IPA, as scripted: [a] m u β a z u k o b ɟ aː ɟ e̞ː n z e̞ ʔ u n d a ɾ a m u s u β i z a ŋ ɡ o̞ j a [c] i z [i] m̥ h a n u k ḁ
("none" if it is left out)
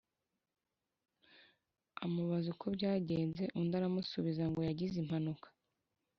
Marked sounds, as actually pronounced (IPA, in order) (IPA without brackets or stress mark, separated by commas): a, ɟ, i